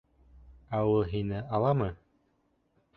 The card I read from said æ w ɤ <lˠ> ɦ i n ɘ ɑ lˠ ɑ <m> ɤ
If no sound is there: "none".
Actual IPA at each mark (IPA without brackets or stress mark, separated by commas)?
lˠ, m